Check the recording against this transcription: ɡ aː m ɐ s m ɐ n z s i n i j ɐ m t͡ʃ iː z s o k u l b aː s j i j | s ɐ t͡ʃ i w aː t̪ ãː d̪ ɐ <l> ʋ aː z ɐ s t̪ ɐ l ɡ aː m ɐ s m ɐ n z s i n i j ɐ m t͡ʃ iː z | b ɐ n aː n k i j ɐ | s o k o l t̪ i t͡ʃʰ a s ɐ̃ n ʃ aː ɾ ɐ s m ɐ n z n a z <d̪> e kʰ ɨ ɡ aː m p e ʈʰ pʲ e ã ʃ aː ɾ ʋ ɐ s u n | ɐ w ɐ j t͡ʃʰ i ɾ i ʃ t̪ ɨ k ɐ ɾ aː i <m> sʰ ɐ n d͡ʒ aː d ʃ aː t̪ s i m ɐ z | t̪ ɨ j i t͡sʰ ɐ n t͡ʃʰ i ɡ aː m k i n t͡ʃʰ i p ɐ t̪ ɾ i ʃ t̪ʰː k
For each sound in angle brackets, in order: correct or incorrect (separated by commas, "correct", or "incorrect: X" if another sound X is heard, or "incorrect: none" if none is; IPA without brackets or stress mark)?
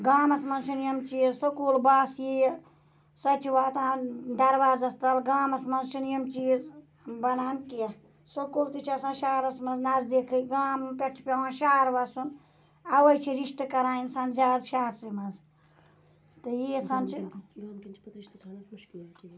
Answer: incorrect: ɾ, correct, incorrect: n